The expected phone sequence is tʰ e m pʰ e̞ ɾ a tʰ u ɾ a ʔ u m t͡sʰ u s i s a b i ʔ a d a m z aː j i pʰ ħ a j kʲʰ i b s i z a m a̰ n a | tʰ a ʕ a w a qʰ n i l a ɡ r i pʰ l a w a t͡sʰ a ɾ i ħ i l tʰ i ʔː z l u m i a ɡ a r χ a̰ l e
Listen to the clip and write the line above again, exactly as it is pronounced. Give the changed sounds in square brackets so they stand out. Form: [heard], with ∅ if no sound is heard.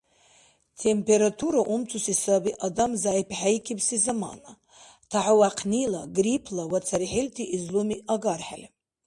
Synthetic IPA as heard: tʰ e m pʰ e̞ ɾ a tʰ u ɾ a ʔ u m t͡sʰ u s i s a b i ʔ a d a m z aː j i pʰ ħ a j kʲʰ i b s i z a m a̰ n a | tʰ a ʕ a w a qʰ n i l a ɡ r i pʰ l a w a t͡sʰ a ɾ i ħ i l tʰ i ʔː z l u m i a ɡ a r [ħ] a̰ l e